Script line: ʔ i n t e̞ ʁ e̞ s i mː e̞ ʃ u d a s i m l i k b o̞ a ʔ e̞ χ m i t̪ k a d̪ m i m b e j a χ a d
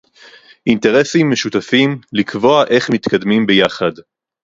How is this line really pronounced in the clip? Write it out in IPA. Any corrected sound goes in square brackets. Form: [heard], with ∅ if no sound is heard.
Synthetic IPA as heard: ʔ i n t e̞ ʁ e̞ s i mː e̞ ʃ u [t] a [f] i m l i k [v] o̞ a ʔ e̞ χ m i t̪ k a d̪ m i m b e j a χ a d